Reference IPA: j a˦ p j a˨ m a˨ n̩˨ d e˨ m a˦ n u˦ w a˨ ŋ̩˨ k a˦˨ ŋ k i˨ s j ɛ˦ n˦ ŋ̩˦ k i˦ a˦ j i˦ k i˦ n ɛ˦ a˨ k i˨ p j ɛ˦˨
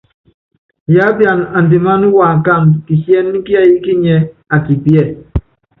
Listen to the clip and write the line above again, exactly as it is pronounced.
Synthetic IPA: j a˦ b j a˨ n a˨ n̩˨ d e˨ m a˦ n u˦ w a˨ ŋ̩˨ k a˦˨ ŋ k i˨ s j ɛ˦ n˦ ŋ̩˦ k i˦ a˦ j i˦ k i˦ ɲ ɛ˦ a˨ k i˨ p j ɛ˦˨